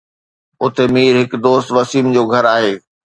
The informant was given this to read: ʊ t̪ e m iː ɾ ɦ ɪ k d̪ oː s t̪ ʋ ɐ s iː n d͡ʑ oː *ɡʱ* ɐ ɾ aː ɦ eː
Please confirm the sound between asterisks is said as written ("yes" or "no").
yes